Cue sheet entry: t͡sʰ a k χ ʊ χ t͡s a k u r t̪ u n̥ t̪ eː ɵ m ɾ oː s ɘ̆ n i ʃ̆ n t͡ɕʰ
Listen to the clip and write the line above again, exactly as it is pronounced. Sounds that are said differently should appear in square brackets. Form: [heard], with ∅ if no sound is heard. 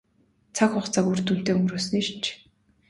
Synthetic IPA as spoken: t͡sʰ a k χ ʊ χ t͡s a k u r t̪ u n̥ t̪ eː ɵ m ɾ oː s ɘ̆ n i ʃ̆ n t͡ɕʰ